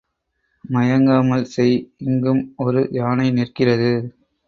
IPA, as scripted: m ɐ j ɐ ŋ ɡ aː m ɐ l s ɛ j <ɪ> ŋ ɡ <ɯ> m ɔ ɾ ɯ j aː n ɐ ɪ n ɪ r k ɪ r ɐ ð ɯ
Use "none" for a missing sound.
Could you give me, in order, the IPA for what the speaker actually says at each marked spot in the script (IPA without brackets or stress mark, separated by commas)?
ɪ, ɯ